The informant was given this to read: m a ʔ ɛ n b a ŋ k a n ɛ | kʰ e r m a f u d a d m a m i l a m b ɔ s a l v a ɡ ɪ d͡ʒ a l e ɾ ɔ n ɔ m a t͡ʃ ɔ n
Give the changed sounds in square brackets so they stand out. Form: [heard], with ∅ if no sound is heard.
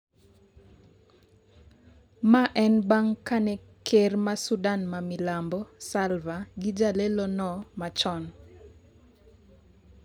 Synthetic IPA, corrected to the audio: m a ʔ ɛ n b a ŋ k a n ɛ | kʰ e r m a [s] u d a [n] m a m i l a m b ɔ s a l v a ɡ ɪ d͡ʒ a l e [l] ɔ n ɔ m a t͡ʃ ɔ n